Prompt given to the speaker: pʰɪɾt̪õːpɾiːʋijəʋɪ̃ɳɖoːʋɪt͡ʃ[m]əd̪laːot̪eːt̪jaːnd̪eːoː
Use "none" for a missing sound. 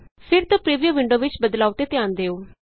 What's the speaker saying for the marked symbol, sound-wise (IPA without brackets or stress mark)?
b